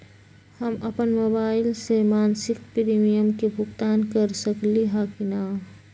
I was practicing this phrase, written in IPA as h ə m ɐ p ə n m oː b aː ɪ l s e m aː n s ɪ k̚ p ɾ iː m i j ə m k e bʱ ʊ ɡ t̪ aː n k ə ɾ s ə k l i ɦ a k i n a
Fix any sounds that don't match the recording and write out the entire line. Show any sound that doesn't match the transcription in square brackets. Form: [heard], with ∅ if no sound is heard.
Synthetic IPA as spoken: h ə m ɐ p ə n m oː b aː ɪ l s e m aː n s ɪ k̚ p ɾ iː m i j ə m k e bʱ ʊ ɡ t̪ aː n k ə ɾ s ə k l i ɦ a k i n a